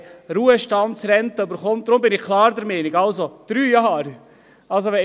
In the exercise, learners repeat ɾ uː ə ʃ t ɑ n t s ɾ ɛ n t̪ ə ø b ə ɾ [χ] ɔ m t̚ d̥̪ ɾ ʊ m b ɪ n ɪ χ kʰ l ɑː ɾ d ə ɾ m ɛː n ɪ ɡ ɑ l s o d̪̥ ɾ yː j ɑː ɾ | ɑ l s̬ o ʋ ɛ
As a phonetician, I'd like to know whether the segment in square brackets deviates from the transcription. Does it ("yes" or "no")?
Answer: no